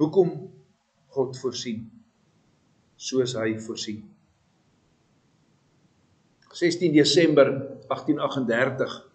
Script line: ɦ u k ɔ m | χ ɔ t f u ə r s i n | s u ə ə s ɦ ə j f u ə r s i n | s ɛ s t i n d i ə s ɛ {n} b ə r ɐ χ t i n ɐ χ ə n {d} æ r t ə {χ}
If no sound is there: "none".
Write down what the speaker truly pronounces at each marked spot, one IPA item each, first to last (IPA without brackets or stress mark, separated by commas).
m, d, χ